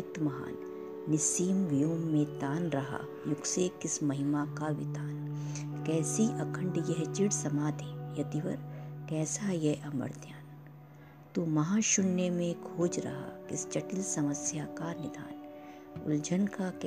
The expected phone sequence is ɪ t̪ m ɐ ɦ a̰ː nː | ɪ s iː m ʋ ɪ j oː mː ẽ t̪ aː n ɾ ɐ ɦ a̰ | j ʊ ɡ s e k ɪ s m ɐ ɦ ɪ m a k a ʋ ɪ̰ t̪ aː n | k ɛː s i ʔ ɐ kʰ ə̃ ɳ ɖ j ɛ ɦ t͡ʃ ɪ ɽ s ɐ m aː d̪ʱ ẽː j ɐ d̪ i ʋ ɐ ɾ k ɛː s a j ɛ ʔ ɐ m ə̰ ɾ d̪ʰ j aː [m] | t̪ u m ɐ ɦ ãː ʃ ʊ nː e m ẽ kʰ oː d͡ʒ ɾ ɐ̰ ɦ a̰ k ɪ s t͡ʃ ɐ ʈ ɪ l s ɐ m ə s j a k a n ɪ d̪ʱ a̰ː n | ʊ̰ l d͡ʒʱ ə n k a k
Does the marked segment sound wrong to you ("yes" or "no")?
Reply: yes